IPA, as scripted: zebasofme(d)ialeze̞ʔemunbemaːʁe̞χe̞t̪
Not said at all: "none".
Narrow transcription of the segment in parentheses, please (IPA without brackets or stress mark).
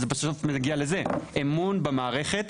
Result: ɡ